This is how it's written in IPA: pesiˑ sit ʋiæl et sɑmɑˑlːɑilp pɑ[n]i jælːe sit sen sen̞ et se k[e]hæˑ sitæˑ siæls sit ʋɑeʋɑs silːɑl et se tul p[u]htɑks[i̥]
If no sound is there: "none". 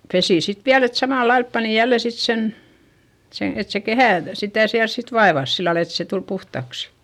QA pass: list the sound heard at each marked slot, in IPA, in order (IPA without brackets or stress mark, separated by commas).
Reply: n, e, u, i̥